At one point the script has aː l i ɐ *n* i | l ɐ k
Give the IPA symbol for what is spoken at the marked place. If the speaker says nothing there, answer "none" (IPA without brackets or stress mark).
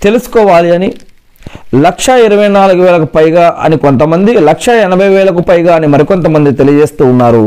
n